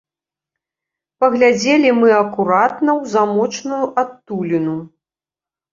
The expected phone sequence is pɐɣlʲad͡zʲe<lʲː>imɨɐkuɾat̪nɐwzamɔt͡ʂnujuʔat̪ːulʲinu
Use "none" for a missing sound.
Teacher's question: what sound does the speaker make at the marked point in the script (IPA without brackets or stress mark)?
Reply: lʲ